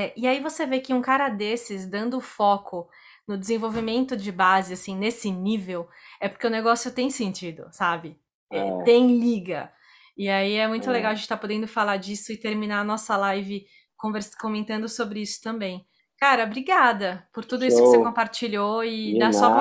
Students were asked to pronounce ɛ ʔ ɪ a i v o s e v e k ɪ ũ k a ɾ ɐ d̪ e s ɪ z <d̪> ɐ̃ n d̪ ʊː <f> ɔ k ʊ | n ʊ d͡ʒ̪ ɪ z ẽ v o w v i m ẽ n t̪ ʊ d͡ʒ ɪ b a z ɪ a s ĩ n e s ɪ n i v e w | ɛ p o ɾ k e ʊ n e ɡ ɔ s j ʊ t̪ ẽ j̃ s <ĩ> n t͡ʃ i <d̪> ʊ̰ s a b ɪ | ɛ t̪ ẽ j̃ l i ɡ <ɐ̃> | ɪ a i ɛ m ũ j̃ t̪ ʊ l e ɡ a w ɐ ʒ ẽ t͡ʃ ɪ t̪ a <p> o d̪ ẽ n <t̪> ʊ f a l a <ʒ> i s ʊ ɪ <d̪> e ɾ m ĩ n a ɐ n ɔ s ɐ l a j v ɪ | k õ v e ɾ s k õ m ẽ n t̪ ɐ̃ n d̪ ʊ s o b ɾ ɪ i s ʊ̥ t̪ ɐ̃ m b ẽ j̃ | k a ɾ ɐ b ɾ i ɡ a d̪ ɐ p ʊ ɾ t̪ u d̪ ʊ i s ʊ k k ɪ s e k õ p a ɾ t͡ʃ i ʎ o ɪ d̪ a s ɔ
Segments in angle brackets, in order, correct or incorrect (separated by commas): correct, correct, incorrect, correct, incorrect, correct, incorrect, incorrect, incorrect